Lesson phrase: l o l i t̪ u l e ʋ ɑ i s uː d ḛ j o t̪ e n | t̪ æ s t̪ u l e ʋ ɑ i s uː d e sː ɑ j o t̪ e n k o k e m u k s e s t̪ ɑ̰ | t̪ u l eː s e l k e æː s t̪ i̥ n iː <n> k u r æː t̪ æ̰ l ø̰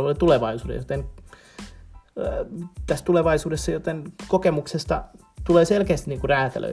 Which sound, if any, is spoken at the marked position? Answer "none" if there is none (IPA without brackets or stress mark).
ŋ